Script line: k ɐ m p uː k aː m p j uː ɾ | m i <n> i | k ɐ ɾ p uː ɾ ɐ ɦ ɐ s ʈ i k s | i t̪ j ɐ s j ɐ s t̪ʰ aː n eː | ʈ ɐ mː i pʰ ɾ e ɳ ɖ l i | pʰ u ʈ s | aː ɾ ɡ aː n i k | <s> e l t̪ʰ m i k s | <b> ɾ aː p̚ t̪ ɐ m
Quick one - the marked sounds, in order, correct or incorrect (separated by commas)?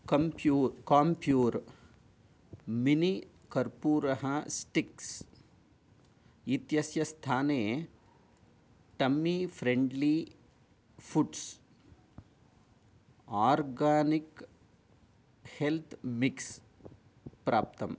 correct, incorrect, incorrect